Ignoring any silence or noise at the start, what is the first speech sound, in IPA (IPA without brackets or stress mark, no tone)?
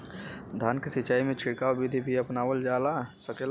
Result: d̪ʱ